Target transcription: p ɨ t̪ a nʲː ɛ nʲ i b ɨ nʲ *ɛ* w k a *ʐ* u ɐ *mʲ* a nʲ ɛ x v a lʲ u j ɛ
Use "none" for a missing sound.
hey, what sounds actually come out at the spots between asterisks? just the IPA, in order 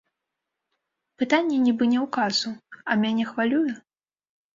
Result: ɛ, z, mʲ

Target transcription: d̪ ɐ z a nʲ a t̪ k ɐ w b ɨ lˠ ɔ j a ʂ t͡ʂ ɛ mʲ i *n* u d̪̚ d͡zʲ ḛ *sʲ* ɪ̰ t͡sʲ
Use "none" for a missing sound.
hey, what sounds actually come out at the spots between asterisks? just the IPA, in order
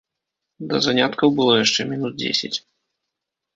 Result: n, sʲ

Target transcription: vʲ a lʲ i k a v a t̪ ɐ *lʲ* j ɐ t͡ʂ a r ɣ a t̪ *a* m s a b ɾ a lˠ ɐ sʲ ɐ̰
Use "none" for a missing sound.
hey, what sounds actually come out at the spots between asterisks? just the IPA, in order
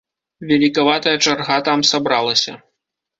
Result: none, a

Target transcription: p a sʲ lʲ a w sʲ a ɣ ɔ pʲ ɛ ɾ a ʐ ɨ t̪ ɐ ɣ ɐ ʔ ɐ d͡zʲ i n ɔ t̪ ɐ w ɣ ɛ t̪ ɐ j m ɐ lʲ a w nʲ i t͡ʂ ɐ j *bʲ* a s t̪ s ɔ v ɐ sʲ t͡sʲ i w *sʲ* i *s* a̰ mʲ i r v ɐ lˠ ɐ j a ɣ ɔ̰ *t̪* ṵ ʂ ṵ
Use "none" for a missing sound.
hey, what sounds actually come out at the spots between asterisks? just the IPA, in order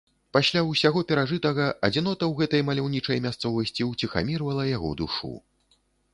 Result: mʲ, t͡sʲ, x, d̪

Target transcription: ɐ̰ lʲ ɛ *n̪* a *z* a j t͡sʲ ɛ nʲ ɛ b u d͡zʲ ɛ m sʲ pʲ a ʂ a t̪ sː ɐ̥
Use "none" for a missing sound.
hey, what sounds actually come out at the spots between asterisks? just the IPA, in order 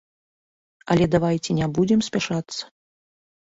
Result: d̪, v

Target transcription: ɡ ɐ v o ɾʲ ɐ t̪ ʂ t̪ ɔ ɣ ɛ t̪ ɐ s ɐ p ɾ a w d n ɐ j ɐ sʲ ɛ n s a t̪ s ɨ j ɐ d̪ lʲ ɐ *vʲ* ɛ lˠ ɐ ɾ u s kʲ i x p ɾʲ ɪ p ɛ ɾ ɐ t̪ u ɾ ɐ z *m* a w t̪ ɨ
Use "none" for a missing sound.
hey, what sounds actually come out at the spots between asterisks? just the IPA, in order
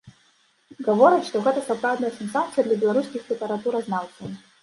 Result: bʲ, n

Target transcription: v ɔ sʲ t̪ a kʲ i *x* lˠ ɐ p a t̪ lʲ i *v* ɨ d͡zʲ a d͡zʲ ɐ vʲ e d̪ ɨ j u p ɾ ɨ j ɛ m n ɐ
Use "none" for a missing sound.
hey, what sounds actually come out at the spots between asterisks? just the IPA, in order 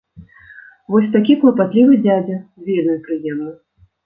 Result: k, v

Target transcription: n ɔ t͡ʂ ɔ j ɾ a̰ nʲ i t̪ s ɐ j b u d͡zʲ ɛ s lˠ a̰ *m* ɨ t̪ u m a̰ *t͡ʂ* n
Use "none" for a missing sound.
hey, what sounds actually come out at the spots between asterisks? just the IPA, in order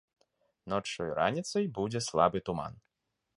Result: b, none

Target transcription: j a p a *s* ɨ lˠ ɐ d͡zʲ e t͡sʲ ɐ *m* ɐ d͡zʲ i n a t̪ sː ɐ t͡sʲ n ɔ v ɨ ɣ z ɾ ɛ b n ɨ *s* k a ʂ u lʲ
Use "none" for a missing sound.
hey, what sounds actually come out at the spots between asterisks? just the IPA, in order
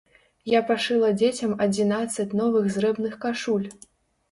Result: ʂ, m, x

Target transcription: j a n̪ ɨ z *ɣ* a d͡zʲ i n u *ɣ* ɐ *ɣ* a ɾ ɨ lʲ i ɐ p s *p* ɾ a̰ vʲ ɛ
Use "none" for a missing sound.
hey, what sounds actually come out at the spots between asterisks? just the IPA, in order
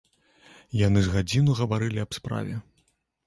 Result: ɣ, ɣ, v, p

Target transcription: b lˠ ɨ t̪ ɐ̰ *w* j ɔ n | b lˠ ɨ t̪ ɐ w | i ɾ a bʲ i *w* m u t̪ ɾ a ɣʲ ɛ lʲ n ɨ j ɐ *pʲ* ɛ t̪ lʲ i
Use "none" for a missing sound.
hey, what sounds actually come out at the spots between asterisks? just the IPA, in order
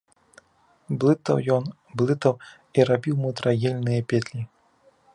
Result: w, w, pʲ

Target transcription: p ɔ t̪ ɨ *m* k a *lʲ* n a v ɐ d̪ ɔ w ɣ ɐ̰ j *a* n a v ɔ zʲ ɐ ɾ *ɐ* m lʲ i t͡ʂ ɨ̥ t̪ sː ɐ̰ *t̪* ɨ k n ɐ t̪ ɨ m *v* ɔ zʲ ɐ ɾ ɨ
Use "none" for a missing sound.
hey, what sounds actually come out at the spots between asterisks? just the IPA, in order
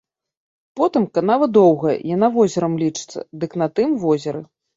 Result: m, none, a, ɐ, d̪, v

